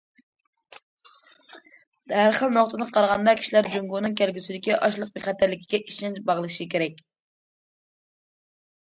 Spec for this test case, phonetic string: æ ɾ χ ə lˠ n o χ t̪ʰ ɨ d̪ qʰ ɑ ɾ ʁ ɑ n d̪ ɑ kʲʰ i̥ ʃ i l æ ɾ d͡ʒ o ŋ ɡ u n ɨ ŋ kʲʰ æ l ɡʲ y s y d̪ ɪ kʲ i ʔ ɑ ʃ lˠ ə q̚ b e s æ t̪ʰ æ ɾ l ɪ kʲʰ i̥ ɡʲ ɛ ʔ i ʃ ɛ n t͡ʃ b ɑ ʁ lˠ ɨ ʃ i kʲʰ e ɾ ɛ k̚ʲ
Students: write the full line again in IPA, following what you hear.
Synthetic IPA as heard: æ ɾ χ ə lˠ n o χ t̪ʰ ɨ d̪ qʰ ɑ ɾ ʁ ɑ n d̪ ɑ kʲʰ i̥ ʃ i l æ ɾ d͡ʒ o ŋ ɡ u n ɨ ŋ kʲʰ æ l ɡʲ y s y d̪ ɪ kʲ i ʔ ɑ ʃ lˠ ə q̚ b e χ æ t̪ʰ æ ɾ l ɪ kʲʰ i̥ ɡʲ ɛ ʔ i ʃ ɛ n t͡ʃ b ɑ ʁ lˠ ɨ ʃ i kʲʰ e ɾ ɛ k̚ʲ

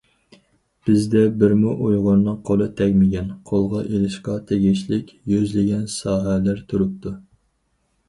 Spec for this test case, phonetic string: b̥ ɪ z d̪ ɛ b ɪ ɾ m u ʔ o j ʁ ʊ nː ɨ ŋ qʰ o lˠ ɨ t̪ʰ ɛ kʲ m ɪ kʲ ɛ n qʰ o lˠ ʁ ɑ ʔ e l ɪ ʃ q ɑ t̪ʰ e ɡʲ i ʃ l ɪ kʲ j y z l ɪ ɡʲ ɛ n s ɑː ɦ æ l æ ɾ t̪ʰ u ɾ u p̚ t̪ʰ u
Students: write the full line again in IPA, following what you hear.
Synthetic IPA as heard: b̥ ɪ z d̪ ɛ b ɪ ɾ m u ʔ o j ʁ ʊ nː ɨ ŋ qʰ o lˠ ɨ t̪ʰ ɛ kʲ m ɪ ɡʲ ɛ n qʰ o lˠ ʁ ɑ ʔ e l ɪ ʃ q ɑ t̪ʰ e ɡʲ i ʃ l ɪ kʲ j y z l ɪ ɡʲ ɛ n s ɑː ɦ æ l æ ɾ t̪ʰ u ɾ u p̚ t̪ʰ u

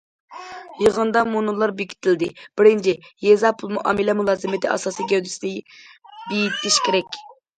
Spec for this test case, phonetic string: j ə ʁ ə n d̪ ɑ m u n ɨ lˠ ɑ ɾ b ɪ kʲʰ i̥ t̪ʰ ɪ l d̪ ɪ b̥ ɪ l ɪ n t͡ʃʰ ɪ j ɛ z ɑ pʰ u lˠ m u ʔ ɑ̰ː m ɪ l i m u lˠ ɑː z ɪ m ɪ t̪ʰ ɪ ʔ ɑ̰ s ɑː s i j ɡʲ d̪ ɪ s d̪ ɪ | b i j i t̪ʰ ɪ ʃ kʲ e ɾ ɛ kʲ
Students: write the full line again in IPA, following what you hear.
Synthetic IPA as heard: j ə ʁ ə n d̪ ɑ m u n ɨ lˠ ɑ ɾ b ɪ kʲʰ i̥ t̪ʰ ɪ l d̪ ɪ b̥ ɪ ɾ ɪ n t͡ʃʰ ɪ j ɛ z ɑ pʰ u lˠ m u ʔ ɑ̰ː m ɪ l ɛ m u lˠ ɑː z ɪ m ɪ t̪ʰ ɪ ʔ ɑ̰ s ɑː s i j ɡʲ d̪ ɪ s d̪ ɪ | b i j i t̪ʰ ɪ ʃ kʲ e ɾ ɛ kʲ

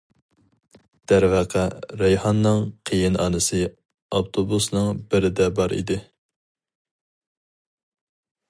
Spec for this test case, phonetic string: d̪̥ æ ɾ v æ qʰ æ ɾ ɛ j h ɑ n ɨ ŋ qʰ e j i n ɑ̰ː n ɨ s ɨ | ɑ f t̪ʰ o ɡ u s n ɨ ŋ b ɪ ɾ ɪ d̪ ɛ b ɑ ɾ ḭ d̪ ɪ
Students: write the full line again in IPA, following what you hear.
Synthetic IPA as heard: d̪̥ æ ɾ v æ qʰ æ ɾ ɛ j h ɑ nː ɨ ŋ qʰ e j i n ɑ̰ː n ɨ s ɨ | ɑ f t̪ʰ o b u s n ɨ ŋ b ɪ ɾ ɪ d̪ ɛ b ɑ ɾ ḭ d̪ ɪ

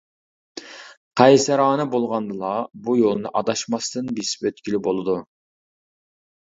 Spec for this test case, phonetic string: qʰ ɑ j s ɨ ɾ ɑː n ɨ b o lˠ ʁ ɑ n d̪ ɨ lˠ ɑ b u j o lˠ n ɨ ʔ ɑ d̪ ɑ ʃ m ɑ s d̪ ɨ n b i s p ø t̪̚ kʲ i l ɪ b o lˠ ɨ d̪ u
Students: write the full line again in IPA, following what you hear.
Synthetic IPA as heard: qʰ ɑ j s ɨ ɾ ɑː n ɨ b o lˠ ʁ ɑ n d̪ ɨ lˠ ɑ b u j o lˠ n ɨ ʔ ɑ d̪ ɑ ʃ m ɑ s t̪ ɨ n b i s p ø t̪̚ kʲ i l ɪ b o lˠ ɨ d̪ u

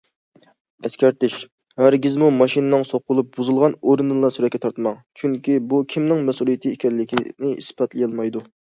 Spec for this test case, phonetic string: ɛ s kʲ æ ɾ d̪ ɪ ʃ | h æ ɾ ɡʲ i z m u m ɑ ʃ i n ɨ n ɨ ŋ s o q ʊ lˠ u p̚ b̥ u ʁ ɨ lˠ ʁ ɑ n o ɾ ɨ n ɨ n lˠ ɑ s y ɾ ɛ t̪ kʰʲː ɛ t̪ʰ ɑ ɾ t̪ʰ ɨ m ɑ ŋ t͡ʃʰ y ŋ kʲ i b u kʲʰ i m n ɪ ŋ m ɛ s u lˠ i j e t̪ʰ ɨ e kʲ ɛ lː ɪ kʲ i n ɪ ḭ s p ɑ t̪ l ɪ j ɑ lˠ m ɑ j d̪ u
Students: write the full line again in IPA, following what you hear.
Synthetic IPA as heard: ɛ s kʲ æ ɾ t̪ ɪ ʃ | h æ ɾ ɡʲ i z m u m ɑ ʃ i n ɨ n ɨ ŋ s o q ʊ lˠ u p̚ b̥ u z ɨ lˠ ʁ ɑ n o ɾ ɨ n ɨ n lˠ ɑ s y ɾ ɛ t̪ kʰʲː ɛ t̪ʰ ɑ ɾ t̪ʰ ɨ m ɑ ŋ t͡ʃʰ y ŋ kʲ i b u kʲʰ i m n ɪ ŋ m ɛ s u lˠ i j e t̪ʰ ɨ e kʲ ɛ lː ɪ kʲ i n ɪ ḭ s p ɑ t̪ l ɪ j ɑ lˠ m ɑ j d̪ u

